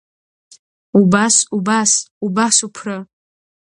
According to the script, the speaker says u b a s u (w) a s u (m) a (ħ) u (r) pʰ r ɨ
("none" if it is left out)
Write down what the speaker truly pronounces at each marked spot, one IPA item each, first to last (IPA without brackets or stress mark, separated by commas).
b, b, s, none